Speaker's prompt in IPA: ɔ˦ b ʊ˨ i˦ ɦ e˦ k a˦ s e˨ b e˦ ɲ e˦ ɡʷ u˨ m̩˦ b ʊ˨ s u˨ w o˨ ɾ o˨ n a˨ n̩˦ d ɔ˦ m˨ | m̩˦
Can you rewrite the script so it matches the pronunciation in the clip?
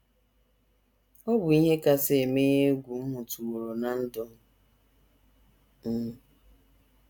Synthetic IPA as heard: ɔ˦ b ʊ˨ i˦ ɦ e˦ k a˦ s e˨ m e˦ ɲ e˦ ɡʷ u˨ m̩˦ m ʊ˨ t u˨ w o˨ ɾ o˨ n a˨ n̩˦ d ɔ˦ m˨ | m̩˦

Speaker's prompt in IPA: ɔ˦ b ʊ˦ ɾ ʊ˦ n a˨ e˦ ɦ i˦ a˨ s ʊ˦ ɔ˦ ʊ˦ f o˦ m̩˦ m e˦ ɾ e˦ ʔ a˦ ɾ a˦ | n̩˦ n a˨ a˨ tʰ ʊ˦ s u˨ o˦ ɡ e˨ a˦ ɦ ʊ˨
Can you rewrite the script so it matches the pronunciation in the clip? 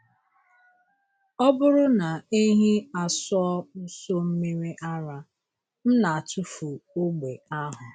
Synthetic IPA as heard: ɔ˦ b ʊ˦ ɾ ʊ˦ n a˨ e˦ ɦ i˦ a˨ s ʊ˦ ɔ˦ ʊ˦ s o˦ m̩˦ m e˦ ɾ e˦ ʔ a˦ ɾ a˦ | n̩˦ n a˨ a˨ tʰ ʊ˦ f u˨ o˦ ɡ͡b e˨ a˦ ɦ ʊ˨

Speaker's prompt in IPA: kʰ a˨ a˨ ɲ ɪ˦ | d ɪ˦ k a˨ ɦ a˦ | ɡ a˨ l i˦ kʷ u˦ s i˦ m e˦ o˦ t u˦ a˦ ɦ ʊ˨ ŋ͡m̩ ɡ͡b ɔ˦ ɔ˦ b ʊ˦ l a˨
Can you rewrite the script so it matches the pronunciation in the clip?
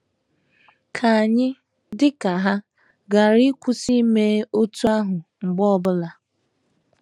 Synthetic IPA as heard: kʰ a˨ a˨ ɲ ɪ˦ | d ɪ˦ k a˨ ɦ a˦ | ɡ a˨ ɾ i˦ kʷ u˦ s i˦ m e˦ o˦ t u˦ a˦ ɦ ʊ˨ ŋ͡m̩ ɡ͡b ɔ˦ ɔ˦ b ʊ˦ l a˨

